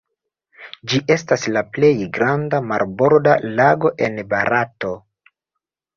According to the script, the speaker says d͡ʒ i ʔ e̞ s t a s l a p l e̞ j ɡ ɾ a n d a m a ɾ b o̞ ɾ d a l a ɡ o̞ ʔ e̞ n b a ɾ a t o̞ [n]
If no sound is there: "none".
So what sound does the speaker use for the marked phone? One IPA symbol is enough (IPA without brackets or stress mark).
none